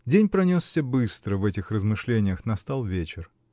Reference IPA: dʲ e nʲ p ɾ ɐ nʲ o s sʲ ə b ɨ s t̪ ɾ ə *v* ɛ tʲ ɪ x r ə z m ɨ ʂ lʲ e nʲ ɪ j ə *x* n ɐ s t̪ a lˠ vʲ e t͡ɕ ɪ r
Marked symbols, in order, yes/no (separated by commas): yes, yes